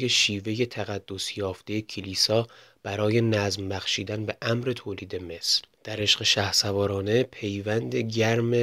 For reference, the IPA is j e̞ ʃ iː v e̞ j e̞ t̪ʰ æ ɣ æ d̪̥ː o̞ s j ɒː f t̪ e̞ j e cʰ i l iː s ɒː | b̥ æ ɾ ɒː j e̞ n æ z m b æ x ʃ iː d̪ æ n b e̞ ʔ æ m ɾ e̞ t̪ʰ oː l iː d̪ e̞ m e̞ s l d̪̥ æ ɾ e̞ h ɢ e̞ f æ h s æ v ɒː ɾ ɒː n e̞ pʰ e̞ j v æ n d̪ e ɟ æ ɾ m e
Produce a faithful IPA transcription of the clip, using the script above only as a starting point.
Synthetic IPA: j e̞ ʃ iː v e̞ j e̞ t̪ʰ æ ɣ æ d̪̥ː o̞ s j ɒː f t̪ e̞ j e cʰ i l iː s ɒː | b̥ æ ɾ ɒː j e̞ n æ z m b æ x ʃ iː d̪ æ n b e̞ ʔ æ m ɾ e̞ t̪ʰ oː l iː d̪ e̞ m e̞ s l d̪̥ æ ɾ e̞ ʃ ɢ e̞ ʃ æ h s æ v ɒː ɾ ɒː n e̞ pʰ e̞ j v æ n d̪ e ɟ æ ɾ m e